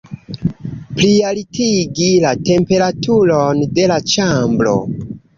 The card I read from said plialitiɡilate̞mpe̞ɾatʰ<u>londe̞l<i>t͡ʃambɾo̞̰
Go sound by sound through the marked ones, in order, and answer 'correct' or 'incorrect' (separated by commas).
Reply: correct, incorrect